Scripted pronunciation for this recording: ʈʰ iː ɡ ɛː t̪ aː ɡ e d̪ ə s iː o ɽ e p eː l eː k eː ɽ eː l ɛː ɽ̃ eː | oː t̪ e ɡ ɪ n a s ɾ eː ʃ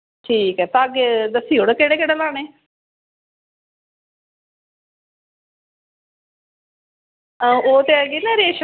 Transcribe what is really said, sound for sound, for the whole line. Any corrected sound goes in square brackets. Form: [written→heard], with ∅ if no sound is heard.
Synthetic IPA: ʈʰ iː [ɡ→k] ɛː t̪ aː ɡ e d̪ ə s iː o ɽ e [p→k] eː [l→ɽ] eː k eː ɽ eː l [ɛː→aː] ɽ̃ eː | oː t̪ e ɡ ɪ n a [s→∅] ɾ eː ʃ